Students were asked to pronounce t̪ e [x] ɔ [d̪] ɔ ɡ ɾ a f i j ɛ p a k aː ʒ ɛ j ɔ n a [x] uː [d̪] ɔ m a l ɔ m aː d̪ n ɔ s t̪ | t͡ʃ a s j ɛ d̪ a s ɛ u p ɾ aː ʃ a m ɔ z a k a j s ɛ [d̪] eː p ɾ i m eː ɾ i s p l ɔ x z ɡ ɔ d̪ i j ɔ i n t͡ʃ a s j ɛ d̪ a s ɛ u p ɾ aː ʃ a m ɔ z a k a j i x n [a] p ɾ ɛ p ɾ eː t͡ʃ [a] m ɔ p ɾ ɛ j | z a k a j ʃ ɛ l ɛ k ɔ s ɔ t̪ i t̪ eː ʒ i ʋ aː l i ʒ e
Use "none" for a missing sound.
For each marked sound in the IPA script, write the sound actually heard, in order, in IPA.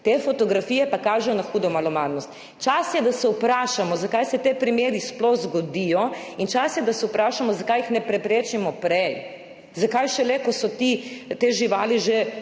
f, t̪, x, d̪, t̪, ɛ, i

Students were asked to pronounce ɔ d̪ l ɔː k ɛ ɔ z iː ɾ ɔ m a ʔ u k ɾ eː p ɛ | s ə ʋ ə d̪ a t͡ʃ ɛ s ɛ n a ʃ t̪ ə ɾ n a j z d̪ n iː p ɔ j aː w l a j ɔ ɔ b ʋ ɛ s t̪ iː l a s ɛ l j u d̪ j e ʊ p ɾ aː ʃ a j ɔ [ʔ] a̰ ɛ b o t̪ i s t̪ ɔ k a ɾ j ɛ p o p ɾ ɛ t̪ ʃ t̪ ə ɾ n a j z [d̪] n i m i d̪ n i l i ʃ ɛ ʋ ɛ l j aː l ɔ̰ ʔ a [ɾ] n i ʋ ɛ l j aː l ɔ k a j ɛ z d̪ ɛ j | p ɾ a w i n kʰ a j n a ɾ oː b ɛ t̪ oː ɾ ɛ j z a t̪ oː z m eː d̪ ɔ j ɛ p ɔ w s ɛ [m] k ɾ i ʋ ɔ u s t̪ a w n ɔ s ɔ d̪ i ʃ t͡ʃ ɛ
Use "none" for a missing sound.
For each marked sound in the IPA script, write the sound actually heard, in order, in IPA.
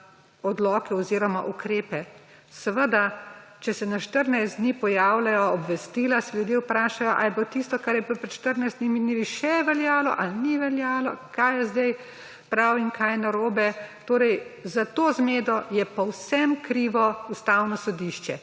ʔ, d̪, l, m

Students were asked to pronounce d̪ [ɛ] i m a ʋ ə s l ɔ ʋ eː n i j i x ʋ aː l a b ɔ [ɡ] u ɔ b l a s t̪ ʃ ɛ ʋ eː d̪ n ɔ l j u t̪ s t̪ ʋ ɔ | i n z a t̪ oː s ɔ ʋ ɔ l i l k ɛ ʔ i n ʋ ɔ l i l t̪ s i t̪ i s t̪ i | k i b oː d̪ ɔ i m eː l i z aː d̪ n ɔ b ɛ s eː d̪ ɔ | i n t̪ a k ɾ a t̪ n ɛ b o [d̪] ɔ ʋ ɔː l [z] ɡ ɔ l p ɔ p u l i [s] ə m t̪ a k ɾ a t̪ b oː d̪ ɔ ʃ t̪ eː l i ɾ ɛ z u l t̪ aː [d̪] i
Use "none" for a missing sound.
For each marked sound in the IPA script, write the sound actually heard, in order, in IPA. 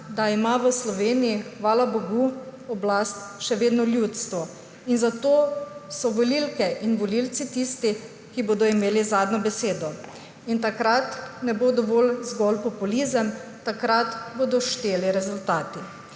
a, ɡ, d̪, z, z, t̪

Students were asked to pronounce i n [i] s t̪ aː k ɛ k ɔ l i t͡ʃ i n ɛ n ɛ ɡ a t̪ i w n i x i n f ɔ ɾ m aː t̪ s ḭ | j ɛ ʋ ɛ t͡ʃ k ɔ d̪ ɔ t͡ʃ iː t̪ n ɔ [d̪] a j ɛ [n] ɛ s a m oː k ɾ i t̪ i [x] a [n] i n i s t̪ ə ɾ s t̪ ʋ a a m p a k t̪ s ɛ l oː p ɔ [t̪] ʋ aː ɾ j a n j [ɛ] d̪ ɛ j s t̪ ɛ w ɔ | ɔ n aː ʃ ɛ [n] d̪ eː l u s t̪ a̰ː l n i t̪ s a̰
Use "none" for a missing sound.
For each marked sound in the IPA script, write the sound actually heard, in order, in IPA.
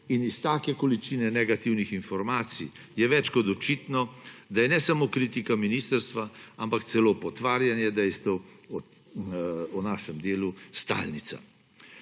i, d̪, n, k, m, t̪, ɛ, m

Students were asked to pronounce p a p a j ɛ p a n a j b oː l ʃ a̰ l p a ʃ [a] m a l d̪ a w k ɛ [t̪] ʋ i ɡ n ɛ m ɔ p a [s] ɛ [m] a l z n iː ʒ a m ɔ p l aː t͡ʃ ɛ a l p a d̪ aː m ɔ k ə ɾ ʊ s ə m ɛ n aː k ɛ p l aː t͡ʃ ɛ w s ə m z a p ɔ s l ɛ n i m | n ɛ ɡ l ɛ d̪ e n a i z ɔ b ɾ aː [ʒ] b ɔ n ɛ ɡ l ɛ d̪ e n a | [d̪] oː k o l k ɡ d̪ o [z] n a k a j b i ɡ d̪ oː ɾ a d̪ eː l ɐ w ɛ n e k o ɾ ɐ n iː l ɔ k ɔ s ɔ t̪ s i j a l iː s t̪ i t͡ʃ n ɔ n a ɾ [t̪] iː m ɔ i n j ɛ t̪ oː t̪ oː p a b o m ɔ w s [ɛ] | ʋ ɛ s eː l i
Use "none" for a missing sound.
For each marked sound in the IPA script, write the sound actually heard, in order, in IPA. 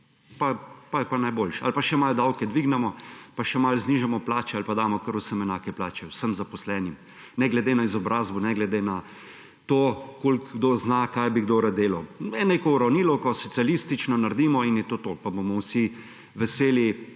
ɛ, d̪, ʃ, m, z, t̪, z, d̪, i

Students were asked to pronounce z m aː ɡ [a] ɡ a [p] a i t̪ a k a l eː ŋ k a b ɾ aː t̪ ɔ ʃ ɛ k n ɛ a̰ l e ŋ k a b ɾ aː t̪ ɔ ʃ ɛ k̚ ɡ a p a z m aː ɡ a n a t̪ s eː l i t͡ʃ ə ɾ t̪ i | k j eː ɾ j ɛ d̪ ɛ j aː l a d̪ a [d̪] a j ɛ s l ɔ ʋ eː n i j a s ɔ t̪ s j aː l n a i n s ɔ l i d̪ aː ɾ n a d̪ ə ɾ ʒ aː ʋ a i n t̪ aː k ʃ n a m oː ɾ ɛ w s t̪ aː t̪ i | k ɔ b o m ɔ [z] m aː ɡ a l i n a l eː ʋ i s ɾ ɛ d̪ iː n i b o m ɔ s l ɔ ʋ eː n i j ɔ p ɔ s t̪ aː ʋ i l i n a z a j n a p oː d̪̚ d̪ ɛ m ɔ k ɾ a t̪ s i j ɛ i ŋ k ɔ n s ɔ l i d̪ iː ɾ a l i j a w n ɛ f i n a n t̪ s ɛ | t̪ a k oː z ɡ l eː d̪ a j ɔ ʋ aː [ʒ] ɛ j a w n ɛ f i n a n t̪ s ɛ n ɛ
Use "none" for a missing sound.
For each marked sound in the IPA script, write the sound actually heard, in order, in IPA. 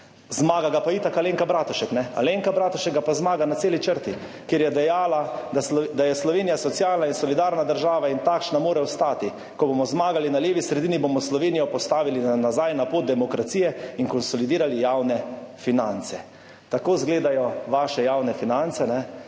a, p, d̪, z, ʃ

